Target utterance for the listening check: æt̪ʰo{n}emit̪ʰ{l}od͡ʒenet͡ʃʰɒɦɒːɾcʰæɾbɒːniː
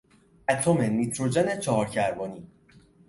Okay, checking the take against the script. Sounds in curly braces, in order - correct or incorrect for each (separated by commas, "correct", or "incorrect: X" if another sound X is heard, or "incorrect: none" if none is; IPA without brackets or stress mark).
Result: incorrect: m, incorrect: ɾ